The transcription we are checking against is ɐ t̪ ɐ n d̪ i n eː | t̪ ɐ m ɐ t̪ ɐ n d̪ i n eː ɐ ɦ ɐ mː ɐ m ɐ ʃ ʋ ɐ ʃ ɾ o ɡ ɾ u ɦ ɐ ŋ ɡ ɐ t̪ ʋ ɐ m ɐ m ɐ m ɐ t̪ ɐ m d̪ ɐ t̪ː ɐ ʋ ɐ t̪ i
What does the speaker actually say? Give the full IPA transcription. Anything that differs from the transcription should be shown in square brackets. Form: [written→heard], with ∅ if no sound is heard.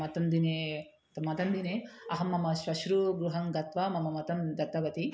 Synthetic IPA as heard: ɐ t̪ ɐ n d̪ i n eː | t̪ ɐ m ɐ t̪ ɐ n d̪ i n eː ɐ ɦ ɐ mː ɐ m ɐ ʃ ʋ ɐ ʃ ɾ [o→u] ɡ ɾ u ɦ ɐ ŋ ɡ ɐ t̪ ʋ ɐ m ɐ m ɐ m ɐ t̪ ɐ m d̪ ɐ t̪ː ɐ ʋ ɐ t̪ i